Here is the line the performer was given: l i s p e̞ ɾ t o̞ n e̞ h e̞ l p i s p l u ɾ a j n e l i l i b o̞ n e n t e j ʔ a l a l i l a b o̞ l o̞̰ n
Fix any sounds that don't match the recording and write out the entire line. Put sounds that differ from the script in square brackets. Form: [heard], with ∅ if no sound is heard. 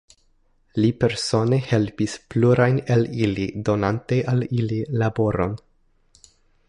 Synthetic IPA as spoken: l i [∅] p e̞ ɾ [s] o̞ n e̞ h e̞ l p i s p l u ɾ a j n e l i l i [d] o̞ n [a] n t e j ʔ a l [i] l i l a b o̞ [ɾ] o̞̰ n